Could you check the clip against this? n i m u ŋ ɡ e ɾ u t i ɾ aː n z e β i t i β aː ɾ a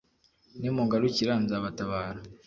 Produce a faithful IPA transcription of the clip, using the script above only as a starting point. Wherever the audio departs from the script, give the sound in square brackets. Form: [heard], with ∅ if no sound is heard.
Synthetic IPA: n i m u ŋ ɡ [a] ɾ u [c] i ɾ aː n z [a] β [a] t [a] β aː ɾ a